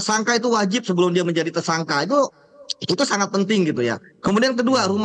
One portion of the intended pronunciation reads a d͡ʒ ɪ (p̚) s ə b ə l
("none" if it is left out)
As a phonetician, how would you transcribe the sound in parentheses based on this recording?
p̚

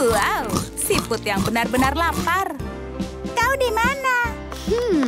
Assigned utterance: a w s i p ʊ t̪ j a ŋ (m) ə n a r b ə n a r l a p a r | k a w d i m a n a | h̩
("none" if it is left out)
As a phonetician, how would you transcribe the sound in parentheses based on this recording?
b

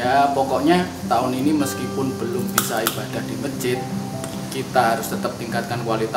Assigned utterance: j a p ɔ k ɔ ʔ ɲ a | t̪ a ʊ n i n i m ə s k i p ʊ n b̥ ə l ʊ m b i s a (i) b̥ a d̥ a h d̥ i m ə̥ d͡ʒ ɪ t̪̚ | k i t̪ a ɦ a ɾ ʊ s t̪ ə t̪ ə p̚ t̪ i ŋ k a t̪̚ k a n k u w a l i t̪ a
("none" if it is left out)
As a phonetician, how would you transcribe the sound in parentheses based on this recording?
i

